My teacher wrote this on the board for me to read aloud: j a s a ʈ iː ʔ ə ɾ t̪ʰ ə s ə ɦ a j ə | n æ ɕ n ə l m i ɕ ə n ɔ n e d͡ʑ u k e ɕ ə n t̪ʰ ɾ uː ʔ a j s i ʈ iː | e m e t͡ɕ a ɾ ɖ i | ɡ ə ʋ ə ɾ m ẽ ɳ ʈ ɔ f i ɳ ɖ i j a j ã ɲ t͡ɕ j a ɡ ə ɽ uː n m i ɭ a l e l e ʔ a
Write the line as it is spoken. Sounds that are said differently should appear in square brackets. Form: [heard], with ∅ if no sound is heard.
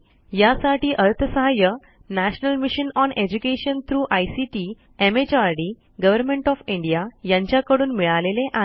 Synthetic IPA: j a s a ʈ iː ʔ ə ɾ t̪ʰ ə s ə ɦ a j ə | n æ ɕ n ə l m i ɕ ə n ɔ n e d͡ʑ u k e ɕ ə n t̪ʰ ɾ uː ʔ a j s i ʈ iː | e m e t͡ɕ a ɾ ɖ i | ɡ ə ʋ ə ɾ m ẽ ɳ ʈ ɔ f i ɳ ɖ i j a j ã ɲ t͡ɕ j a [k] ə ɽ uː n m i ɭ a l e l e ʔ a